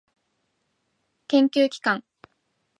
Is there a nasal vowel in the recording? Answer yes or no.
yes